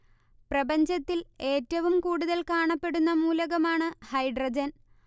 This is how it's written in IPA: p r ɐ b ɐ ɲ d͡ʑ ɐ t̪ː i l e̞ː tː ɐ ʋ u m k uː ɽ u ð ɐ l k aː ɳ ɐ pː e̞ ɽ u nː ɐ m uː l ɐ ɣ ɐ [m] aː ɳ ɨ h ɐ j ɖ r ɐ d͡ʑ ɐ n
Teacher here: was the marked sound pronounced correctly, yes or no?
yes